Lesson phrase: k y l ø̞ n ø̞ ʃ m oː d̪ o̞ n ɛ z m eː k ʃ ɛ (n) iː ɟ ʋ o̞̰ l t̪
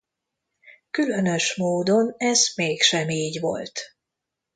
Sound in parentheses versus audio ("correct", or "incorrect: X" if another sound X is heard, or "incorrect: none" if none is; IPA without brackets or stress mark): incorrect: m